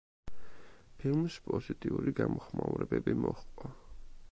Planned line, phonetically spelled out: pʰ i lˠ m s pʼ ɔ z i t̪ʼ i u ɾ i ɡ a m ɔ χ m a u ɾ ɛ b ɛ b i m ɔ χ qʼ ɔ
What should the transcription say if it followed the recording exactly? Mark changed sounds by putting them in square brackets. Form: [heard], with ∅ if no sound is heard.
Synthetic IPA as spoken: pʰ i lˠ m s pʼ ɔ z i t̪ʼ i u ɾ i ɡ a m ɔ χ m a u ɾ ɛ b ɛ b i m ɔ χ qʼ ɔ